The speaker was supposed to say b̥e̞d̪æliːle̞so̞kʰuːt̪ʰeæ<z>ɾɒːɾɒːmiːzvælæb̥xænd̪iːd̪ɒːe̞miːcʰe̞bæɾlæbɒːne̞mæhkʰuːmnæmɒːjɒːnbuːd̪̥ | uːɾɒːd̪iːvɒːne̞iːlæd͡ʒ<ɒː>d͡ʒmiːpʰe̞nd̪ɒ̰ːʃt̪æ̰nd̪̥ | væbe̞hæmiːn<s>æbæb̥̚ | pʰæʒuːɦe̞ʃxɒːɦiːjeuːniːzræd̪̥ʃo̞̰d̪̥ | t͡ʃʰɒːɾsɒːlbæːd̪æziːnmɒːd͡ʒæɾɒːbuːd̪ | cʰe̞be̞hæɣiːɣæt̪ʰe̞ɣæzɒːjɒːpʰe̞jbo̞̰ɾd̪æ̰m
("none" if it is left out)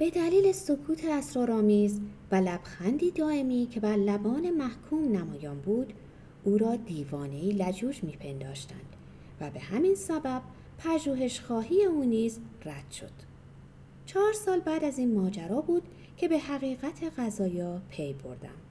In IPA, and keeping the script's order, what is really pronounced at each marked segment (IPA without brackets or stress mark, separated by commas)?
s, uː, s